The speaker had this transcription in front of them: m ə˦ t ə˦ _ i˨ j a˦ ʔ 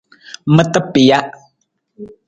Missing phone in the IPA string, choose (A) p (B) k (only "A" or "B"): A